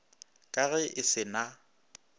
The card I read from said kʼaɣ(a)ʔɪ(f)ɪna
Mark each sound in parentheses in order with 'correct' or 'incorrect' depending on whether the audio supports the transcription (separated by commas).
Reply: incorrect, incorrect